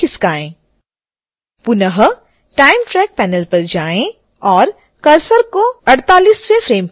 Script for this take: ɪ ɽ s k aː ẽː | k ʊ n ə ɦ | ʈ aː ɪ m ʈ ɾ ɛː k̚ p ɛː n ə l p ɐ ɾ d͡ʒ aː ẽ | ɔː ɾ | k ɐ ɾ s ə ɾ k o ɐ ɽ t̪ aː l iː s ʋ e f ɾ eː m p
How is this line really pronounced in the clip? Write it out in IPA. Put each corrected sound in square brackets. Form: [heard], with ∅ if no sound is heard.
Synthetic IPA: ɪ [∅] s k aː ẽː | [p] ʊ n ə ɦ | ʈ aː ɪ m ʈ ɾ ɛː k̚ p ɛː n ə l p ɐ ɾ d͡ʒ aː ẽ | ɔː ɾ | k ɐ ɾ s ə ɾ k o ɐ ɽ t̪ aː l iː s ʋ e f ɾ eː m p